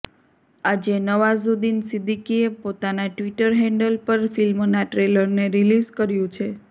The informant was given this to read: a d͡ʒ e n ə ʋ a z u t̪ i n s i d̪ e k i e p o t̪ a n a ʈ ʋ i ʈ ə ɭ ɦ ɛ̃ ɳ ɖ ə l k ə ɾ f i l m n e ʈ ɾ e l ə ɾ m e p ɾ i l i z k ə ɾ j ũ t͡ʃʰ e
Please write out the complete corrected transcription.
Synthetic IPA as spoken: a d͡ʒ e n ə ʋ a z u d̪ i n s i d̪ i k i e p o t̪ a n a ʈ ʋ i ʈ ə ɾ ɦ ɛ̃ ɳ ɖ ə l p ə ɾ f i l m n a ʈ ɾ e l ə ɾ n e ɾ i l i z k ə ɾ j ũ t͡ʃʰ e